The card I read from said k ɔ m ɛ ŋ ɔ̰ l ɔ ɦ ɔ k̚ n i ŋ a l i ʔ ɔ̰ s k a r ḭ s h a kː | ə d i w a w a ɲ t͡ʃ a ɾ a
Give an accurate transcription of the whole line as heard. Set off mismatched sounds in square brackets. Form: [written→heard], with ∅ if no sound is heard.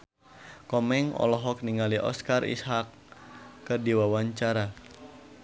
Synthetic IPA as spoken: k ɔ m ɛ ŋ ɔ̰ l ɔ ɦ ɔ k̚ n i ŋ a l i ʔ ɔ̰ s k a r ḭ s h a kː | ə d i w a w a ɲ t͡ʃ a ɾ a

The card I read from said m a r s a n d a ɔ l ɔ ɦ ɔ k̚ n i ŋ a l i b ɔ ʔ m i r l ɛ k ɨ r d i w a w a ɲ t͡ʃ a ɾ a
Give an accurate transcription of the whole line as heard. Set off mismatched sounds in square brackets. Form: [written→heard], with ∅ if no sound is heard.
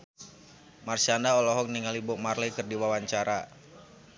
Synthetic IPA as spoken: m a r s a n d a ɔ l ɔ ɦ ɔ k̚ n i ŋ a l i b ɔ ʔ m [i→a] r l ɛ k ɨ r d i w a w a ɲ t͡ʃ a ɾ a

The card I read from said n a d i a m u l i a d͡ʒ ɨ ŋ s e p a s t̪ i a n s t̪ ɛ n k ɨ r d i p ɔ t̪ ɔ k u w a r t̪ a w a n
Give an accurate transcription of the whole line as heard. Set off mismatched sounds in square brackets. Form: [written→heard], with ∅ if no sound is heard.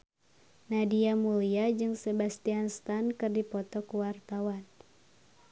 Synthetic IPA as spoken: n a d i a m u l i a d͡ʒ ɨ ŋ s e [p→b] a s t̪ i a n s t̪ [ɛ→a] n k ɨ r d i p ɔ t̪ ɔ k u w a r t̪ a w a n

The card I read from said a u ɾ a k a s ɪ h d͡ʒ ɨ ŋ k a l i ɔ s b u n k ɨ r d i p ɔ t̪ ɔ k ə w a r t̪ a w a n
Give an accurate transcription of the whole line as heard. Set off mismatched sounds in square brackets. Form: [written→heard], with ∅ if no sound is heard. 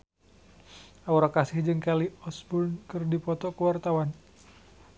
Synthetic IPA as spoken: a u ɾ a k a s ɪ h d͡ʒ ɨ ŋ k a l i ɔ s b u n k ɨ r d i p ɔ t̪ ɔ k ə w a r t̪ a w a n

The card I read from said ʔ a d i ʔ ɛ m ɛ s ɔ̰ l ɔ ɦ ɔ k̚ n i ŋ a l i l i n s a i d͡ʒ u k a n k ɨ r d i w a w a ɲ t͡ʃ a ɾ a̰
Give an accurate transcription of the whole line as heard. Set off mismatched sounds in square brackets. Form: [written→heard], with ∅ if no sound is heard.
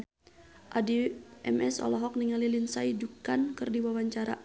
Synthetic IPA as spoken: ʔ a d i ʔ ɛ m ɛ s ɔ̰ l ɔ ɦ ɔ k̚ n i ŋ a l i l i n s a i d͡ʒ u k a n k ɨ r d i w a w a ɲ t͡ʃ a ɾ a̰

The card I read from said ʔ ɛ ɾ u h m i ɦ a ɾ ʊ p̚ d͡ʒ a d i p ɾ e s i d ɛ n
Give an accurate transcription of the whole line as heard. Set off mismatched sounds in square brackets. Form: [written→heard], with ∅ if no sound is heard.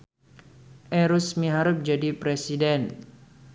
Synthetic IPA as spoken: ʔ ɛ ɾ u [h→s] m i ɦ a ɾ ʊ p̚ d͡ʒ a d i p ɾ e s i d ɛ n

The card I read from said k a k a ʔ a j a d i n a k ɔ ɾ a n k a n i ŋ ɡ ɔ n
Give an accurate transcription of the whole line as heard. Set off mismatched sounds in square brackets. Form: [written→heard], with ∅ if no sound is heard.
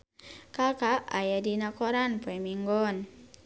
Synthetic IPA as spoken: k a k a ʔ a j a d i n a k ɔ ɾ a n [k→p] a [n→m] i ŋ ɡ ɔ n

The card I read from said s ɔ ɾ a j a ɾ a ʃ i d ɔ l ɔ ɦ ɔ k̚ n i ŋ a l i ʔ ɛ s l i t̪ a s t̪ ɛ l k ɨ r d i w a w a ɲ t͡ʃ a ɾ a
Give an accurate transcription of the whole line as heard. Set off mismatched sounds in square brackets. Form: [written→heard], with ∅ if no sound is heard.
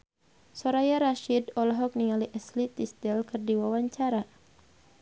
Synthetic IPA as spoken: s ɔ ɾ a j a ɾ a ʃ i d ɔ l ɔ ɦ ɔ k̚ n i ŋ a l i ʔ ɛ s l i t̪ [a→i] s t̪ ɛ l k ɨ r d i w a w a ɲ t͡ʃ a ɾ a

